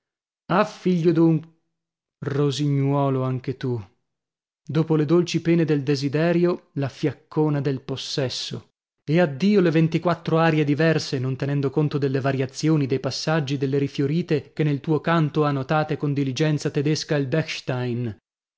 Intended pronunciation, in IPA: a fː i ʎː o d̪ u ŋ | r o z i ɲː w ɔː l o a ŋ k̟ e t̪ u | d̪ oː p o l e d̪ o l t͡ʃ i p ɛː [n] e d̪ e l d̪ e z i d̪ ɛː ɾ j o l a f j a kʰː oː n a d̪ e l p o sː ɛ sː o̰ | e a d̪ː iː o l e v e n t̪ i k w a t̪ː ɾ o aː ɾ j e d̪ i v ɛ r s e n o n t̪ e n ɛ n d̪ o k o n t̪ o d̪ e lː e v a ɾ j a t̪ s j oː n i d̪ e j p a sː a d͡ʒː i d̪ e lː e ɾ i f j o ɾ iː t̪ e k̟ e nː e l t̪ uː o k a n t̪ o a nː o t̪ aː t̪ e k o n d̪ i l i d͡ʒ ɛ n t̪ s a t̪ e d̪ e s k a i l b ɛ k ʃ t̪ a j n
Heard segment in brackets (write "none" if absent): n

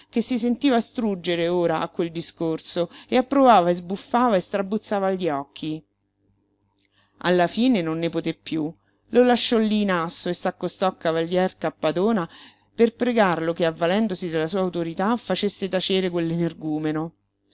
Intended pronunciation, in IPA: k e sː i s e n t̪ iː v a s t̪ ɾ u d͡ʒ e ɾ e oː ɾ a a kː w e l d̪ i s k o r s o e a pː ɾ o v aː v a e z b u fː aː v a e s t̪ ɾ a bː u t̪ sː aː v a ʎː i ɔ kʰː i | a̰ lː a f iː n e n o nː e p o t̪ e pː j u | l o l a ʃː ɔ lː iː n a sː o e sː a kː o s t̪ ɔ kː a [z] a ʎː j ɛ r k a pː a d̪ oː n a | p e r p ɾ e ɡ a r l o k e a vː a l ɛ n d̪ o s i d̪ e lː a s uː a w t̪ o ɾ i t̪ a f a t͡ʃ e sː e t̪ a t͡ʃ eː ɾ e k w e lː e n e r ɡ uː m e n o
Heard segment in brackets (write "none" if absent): v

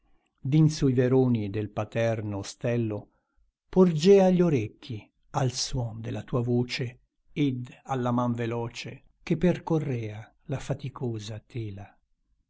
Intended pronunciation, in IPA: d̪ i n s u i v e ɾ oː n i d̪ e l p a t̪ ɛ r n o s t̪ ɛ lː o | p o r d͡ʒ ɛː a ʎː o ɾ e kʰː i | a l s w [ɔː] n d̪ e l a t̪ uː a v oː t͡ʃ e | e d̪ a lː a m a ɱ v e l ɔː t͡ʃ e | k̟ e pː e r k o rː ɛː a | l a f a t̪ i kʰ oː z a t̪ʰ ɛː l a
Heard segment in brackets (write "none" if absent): ɔ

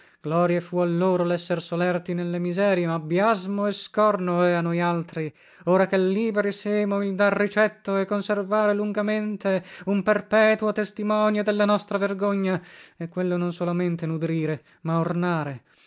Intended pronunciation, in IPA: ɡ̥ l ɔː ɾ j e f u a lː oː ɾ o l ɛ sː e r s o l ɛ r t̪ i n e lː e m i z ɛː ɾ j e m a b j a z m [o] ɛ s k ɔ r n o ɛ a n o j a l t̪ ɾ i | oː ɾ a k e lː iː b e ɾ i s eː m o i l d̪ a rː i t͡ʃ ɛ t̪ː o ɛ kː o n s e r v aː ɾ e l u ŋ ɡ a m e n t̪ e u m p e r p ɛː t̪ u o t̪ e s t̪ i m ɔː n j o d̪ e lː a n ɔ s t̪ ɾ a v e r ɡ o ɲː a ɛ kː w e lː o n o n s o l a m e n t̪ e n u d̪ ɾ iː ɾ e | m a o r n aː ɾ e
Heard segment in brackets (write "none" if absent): o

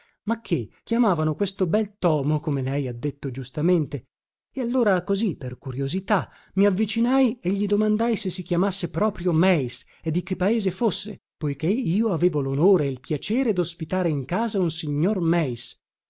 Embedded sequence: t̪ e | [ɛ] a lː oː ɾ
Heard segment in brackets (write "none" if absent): e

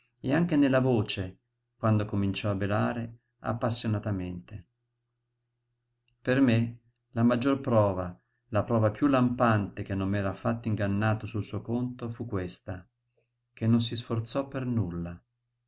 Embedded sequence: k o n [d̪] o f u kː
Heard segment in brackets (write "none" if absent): t̪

